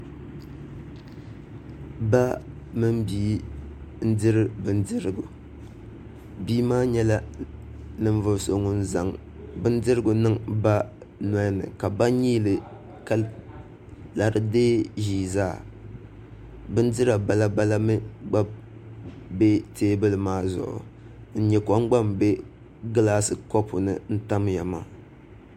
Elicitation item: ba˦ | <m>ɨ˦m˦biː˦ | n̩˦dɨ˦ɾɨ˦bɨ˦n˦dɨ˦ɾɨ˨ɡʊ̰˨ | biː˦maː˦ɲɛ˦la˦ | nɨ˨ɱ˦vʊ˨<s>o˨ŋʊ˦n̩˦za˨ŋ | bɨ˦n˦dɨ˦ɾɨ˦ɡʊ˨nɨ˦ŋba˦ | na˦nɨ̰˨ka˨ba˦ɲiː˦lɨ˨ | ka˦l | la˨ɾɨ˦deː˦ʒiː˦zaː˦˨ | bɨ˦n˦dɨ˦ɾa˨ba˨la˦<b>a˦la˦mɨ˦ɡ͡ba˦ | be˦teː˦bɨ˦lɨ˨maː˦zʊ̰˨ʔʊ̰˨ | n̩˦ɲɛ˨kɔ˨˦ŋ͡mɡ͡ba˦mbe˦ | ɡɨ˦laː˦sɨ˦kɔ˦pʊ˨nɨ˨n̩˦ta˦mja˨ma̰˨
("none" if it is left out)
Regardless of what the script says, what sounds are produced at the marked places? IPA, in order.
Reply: m, s, b

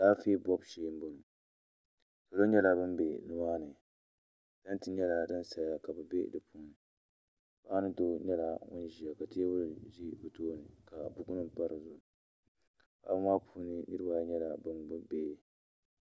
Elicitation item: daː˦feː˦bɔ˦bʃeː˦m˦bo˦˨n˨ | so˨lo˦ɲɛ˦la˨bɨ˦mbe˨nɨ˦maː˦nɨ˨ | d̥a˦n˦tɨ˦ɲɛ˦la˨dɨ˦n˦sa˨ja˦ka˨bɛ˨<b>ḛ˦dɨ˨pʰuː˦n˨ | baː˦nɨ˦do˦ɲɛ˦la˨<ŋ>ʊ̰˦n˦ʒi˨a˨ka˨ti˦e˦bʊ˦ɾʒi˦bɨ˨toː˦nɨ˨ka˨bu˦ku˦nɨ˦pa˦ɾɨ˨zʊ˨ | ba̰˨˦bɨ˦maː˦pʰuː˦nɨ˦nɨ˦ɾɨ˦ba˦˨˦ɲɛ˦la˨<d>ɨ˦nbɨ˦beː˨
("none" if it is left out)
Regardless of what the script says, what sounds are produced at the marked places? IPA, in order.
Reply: b, ŋ, b

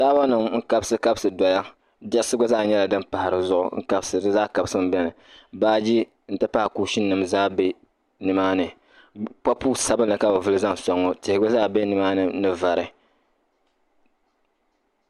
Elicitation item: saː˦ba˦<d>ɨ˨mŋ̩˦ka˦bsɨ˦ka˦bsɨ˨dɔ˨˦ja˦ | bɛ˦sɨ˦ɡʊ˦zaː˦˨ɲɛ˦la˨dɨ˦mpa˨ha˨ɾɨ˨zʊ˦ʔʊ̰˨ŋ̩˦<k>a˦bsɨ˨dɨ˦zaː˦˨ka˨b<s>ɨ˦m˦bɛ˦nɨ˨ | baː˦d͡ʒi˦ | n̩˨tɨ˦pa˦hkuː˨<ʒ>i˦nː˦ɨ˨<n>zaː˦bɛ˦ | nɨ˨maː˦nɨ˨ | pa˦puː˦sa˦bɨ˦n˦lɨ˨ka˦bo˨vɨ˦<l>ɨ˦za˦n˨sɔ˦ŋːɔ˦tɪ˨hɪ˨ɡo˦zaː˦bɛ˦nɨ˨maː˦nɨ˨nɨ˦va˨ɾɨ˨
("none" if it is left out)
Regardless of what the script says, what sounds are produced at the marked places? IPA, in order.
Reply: n, k, s, ʃ, m, l

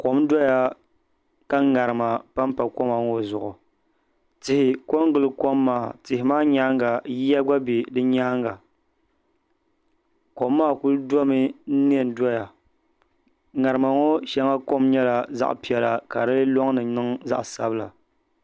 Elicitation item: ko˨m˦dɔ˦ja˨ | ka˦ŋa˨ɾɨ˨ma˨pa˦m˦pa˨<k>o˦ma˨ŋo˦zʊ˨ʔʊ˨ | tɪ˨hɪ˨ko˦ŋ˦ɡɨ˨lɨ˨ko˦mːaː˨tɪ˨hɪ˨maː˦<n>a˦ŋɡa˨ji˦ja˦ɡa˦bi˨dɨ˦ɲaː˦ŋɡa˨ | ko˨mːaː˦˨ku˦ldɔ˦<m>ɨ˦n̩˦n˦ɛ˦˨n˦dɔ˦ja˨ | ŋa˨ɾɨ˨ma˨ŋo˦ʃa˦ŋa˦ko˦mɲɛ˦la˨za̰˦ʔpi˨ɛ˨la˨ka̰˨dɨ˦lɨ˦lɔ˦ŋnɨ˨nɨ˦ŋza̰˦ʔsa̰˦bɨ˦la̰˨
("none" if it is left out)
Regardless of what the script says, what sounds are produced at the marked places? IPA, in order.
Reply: k, ɲ, m

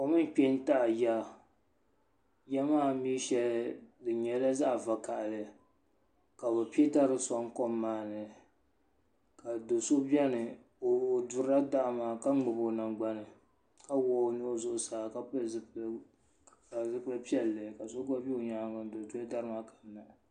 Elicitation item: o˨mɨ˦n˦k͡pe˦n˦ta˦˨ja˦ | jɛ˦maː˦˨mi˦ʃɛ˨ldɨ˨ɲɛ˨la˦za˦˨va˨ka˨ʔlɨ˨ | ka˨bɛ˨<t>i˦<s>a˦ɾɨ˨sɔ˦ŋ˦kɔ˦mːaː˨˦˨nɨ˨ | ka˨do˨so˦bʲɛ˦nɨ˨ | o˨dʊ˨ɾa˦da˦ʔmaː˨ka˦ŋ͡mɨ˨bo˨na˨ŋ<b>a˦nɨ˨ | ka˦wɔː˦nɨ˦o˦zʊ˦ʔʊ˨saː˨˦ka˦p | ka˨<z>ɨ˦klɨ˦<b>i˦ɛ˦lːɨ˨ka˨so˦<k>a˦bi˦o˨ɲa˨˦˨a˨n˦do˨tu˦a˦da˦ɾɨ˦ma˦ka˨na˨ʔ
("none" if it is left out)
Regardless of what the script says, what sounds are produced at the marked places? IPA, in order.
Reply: p, t, ɡ͡b, z, p, ɡ

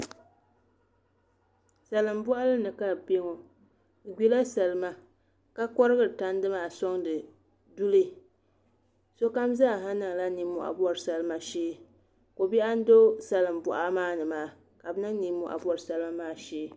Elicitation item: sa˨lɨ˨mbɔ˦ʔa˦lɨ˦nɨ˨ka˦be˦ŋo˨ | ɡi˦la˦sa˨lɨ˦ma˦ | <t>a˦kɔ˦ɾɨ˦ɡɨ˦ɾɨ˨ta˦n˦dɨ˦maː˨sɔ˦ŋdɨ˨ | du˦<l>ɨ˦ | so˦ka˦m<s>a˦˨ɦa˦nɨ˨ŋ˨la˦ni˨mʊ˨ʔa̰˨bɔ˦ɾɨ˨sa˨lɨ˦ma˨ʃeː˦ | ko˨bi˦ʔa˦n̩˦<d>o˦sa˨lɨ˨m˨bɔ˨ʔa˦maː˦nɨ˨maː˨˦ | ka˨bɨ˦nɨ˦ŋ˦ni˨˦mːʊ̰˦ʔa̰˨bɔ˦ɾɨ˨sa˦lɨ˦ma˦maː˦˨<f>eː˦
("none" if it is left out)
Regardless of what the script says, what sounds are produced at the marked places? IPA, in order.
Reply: k, l, z, d, ʃ

